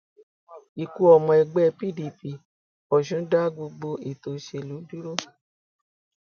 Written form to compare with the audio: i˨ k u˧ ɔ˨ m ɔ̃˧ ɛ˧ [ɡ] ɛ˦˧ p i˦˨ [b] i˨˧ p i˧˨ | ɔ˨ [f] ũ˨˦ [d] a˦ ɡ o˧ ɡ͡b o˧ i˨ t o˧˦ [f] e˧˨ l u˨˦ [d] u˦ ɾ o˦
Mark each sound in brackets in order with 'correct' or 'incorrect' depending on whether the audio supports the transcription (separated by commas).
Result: incorrect, incorrect, incorrect, correct, incorrect, correct